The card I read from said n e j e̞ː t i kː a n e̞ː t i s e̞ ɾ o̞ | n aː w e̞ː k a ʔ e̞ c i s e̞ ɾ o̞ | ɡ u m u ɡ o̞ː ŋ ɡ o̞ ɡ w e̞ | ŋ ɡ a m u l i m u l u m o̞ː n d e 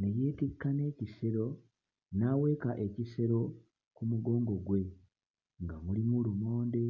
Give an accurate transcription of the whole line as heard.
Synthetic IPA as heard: n e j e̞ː t i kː a n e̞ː c i s e̞ ɾ o̞ | n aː w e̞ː k a ʔ e̞ c i s e̞ ɾ o̞ | k u m u ɡ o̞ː ŋ ɡ o̞ ɡ w e̞ | ŋ ɡ a m u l i m u l u m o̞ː n d e